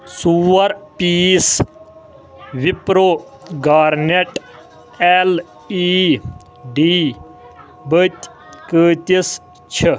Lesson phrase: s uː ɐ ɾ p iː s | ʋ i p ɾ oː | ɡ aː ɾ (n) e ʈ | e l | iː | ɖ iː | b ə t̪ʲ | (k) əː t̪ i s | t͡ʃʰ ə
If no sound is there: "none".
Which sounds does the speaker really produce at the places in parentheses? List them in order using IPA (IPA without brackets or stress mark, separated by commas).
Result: n, k